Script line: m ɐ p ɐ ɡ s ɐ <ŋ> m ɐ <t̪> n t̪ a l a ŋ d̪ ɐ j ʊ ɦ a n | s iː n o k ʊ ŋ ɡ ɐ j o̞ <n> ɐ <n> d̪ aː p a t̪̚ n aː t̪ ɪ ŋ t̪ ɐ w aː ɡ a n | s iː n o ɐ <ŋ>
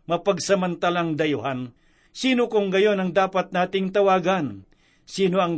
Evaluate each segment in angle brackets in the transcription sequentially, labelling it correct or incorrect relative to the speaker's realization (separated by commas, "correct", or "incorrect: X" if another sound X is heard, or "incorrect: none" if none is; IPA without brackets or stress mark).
incorrect: none, incorrect: none, correct, incorrect: ŋ, correct